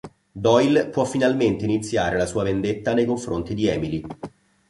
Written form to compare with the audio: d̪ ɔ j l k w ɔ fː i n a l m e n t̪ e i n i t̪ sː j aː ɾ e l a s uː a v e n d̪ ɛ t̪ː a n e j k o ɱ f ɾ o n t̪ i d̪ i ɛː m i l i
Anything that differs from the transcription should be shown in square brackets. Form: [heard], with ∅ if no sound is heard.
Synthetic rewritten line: d̪ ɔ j l [p] w ɔ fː i n a l m e n t̪ e i n i t̪ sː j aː ɾ e l a s uː a v e n d̪ [e] t̪ː a n e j k o ɱ f ɾ o n t̪ i d̪ i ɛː m i l i